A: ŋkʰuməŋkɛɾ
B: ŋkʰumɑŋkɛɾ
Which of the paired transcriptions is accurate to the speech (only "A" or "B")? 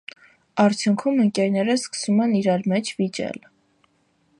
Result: A